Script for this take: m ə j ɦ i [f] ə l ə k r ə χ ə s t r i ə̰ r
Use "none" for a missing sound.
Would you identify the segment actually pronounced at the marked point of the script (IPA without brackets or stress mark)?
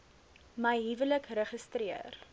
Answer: v